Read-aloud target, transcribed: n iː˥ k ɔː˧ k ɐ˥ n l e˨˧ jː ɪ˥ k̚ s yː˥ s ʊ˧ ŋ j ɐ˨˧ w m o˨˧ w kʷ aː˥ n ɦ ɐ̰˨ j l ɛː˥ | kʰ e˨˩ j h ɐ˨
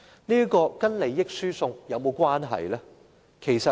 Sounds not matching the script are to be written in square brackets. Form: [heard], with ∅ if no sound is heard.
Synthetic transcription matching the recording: n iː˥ k ɔː˧ k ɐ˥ n l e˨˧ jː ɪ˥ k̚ s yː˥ s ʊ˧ ŋ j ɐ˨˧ w m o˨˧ w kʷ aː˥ n ɦ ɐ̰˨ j l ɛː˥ | kʰ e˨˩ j [s] ɐ˨